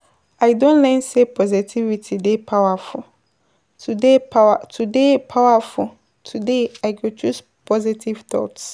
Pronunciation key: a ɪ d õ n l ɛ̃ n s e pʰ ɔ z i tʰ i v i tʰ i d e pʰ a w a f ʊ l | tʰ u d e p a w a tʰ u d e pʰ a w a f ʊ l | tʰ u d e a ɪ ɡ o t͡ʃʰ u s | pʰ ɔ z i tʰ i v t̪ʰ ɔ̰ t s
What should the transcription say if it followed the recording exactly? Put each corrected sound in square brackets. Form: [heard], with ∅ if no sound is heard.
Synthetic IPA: a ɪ d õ n l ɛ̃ n s e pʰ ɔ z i tʰ i v i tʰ i d e pʰ a w a f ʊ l | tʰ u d e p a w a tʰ u d e pʰ a w a f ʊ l | tʰ u d e a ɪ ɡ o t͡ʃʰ u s | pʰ ɔ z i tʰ i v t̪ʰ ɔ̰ t s